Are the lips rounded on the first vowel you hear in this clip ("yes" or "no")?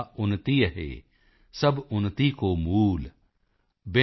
yes